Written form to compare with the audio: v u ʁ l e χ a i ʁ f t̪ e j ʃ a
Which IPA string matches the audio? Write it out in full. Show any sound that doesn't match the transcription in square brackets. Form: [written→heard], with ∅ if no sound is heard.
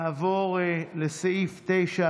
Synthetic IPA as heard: v [u→o] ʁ l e [χ→s] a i [ʁ→∅] f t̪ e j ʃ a